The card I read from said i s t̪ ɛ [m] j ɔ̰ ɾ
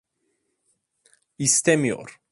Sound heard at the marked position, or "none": m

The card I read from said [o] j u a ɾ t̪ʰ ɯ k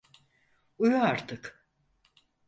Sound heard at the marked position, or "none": u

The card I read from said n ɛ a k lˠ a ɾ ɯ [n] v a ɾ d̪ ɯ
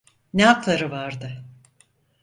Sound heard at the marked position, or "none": none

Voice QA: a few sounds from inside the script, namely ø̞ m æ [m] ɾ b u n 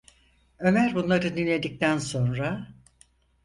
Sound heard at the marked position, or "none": none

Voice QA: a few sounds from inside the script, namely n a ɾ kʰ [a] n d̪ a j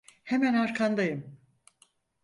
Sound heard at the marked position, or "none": a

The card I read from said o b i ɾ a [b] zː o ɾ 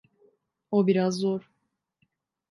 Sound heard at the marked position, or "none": none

